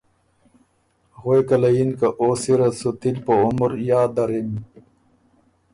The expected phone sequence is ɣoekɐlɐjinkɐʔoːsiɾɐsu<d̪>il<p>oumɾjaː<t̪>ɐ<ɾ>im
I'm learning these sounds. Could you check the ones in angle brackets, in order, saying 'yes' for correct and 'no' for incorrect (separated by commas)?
no, yes, no, yes